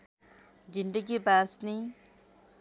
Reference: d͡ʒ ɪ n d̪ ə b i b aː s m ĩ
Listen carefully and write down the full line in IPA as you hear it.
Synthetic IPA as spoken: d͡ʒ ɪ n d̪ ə ɡ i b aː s n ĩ